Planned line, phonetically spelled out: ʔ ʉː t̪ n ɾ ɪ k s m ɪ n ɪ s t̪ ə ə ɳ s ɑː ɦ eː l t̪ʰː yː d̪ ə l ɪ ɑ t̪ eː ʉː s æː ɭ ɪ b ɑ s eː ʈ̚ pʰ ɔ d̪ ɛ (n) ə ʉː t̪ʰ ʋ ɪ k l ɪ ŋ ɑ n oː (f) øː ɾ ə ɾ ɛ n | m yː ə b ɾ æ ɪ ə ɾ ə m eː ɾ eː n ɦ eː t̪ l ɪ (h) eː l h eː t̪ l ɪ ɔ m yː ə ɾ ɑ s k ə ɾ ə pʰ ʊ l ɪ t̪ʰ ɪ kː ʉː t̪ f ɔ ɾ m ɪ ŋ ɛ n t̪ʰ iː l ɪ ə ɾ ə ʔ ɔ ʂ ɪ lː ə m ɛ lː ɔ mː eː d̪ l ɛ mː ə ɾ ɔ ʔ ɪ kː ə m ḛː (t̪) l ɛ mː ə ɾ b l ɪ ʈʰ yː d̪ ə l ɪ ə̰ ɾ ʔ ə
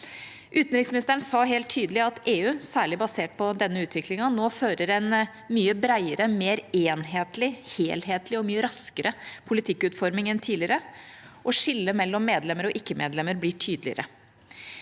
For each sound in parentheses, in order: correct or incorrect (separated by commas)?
incorrect, correct, correct, incorrect